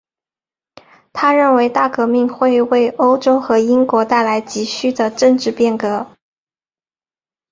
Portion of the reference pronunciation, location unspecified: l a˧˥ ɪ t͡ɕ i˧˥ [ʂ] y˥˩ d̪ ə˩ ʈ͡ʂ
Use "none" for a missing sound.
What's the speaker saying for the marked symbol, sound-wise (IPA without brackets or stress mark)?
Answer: ɕ